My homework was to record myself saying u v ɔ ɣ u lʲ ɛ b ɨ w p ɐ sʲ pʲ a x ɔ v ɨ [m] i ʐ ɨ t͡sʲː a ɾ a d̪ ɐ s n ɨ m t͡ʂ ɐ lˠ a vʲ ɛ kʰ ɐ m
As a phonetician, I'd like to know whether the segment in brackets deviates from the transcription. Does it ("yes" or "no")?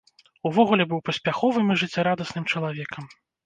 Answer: no